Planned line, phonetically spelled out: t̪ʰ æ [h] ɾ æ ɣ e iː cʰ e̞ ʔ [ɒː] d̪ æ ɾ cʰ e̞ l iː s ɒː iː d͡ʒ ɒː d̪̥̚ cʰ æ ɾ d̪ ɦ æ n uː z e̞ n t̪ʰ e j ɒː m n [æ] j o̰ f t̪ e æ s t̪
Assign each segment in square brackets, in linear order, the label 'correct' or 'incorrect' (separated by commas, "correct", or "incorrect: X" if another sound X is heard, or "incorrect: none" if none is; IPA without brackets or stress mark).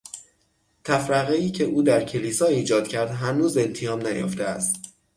incorrect: f, incorrect: uː, correct